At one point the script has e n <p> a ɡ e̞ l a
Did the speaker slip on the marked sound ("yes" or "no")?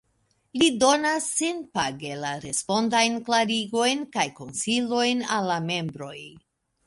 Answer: no